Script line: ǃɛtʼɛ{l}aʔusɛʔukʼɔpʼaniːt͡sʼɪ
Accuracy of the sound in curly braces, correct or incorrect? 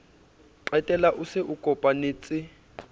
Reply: correct